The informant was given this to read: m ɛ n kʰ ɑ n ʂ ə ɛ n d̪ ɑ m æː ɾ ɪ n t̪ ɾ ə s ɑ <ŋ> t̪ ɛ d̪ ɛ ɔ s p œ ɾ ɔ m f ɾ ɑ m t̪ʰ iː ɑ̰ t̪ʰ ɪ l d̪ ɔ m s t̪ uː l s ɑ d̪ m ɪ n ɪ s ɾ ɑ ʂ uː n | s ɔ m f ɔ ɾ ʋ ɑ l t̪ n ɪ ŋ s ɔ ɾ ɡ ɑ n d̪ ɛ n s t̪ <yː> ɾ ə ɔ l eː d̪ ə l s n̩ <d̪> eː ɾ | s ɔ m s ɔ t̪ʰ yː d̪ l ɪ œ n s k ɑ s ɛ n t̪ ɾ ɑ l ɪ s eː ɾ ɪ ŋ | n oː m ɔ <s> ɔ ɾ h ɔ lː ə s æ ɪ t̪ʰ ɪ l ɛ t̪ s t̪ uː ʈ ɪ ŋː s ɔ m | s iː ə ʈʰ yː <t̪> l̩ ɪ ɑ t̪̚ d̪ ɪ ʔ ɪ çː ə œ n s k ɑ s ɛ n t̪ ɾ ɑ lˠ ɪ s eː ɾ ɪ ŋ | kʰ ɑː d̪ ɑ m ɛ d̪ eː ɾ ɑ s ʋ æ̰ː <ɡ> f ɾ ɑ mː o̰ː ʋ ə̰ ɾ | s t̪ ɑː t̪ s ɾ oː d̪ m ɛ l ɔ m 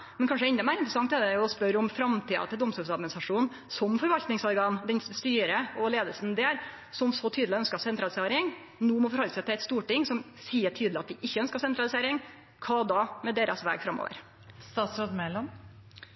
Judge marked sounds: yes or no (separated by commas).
yes, yes, yes, no, no, yes